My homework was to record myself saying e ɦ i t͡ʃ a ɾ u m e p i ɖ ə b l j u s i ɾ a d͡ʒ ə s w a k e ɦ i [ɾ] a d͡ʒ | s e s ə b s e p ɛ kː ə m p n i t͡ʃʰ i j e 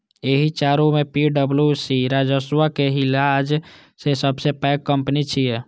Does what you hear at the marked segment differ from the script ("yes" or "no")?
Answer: yes